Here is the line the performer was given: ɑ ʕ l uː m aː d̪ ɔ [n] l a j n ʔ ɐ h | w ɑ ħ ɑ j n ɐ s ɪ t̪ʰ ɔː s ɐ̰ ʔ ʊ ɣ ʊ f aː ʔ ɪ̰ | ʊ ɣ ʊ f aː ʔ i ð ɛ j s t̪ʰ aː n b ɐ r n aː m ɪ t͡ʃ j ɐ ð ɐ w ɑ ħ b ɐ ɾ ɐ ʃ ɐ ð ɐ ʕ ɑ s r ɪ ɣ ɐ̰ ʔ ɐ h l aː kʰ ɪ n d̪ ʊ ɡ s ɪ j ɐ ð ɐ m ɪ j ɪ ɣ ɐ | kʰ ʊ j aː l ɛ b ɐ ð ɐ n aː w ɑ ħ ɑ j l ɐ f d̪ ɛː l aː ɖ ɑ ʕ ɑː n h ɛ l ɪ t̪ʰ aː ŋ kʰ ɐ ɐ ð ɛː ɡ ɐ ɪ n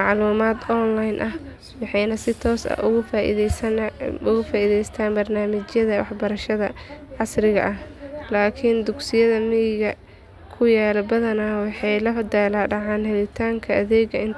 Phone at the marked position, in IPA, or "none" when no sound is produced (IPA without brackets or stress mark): n